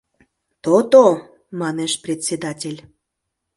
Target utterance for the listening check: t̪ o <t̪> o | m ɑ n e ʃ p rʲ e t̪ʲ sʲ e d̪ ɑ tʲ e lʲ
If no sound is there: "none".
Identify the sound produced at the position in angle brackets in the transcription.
t̪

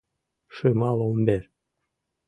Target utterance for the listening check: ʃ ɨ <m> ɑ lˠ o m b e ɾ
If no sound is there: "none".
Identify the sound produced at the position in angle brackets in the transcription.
m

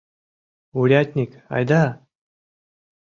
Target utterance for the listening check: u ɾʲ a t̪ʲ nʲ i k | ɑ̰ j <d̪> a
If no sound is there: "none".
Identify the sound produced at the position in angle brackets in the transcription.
d̪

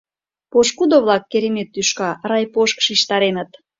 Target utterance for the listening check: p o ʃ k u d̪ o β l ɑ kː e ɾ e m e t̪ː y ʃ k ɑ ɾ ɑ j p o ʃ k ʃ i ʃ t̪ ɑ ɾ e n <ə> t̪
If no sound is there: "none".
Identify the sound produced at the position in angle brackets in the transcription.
ə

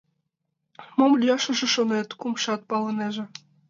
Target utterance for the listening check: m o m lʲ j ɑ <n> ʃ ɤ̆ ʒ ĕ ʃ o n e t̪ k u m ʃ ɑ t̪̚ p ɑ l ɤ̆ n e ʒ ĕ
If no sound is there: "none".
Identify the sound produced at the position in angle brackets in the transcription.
none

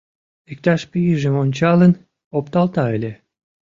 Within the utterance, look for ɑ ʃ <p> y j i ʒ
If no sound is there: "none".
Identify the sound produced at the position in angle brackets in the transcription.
p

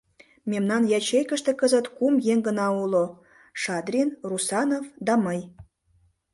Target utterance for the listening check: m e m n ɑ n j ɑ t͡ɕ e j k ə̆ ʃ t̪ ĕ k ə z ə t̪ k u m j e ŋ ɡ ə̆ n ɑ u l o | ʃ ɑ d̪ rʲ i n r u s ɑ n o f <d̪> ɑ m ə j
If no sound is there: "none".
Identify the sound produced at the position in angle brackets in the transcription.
d̪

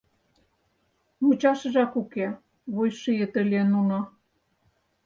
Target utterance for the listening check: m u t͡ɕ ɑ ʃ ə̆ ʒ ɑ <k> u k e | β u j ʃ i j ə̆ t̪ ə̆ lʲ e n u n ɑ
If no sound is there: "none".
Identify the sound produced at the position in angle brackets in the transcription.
k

